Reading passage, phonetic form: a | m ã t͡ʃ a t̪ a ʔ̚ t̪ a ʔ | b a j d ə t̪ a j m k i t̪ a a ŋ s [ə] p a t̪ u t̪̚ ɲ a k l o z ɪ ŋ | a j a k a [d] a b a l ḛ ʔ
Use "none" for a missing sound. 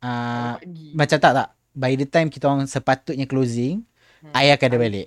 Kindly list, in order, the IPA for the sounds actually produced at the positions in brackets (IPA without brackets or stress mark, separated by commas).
ə, d